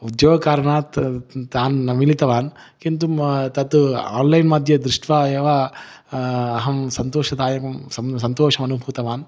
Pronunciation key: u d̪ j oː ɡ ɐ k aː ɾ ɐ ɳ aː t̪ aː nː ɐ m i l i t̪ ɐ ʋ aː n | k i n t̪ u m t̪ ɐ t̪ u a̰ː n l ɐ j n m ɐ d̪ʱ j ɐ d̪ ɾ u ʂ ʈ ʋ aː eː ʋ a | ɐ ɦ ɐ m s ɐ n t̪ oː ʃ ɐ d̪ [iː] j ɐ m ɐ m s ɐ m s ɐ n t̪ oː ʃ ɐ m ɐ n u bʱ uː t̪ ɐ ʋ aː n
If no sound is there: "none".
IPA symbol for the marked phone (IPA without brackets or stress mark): aː